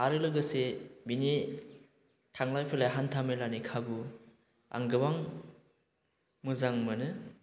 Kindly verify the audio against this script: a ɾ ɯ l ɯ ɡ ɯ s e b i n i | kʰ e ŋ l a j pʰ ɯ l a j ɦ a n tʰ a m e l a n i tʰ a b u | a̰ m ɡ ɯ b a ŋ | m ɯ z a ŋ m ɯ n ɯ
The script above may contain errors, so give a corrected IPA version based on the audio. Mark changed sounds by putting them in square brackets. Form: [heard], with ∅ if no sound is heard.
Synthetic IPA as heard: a ɾ ɯ l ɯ ɡ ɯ s e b i n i | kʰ [a] ŋ l a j pʰ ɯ l a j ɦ a n tʰ a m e l a n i [kʰ] a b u | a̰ [ŋ] ɡ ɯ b a ŋ | m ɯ z a ŋ m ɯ n ɯ